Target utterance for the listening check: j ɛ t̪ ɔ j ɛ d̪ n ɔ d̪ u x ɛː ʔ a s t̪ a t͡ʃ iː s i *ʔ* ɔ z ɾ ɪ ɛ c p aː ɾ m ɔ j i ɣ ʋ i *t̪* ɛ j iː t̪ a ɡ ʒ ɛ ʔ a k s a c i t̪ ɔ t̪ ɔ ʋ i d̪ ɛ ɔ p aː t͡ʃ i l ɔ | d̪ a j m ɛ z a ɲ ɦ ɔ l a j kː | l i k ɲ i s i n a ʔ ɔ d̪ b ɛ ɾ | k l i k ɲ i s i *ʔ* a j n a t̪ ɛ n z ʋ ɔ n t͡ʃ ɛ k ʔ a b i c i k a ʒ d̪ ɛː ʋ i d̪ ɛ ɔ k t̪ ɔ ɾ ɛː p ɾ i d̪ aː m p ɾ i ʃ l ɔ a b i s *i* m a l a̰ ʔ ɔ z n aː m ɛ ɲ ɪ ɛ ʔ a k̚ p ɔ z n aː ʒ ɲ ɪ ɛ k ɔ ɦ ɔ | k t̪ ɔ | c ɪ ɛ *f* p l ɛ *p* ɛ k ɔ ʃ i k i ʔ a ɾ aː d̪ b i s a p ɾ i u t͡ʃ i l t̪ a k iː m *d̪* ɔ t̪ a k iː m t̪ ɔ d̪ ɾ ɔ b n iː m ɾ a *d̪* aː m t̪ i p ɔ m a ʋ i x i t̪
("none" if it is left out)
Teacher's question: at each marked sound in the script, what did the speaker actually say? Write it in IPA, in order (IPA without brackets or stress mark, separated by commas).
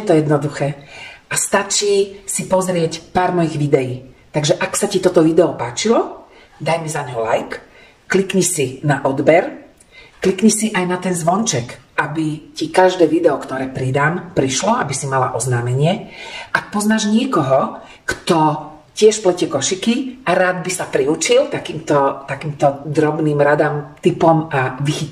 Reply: p, d̪, ʔ, i, ʃ, c, t̪, d̪